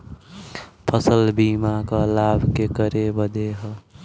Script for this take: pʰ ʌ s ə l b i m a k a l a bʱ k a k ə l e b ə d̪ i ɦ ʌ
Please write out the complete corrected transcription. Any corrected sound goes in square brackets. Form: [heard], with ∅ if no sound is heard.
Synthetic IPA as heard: pʰ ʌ s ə l b i m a k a l a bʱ k [e] k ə [ɾ] e b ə d̪ [e] ɦ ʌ